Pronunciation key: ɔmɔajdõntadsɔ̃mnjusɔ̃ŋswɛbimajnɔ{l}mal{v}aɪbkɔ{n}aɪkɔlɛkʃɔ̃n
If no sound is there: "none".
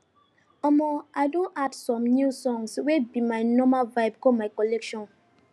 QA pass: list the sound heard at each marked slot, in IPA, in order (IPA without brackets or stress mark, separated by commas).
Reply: none, v, m